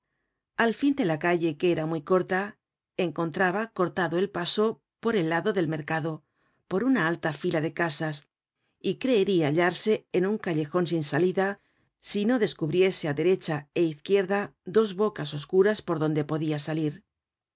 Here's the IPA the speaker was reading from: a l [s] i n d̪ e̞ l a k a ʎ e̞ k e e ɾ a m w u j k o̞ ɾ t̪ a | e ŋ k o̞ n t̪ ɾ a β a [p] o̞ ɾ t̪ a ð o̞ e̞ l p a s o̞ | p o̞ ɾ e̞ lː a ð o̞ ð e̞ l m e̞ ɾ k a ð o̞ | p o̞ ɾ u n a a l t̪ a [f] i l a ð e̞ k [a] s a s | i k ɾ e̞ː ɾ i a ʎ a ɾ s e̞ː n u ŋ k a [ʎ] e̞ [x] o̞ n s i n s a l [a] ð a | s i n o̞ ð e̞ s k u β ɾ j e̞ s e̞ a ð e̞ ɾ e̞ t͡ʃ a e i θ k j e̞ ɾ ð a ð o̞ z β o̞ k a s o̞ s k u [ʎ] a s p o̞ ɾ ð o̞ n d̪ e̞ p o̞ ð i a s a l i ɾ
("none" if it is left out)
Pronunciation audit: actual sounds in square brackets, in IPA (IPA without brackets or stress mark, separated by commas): f, k, f, a, ʎ, x, i, ɾ